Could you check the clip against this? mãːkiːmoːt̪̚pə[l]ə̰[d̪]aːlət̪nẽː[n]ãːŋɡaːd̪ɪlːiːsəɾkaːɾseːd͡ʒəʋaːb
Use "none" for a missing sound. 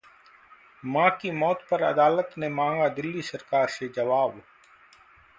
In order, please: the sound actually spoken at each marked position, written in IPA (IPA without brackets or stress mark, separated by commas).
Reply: ɾ, d̪, m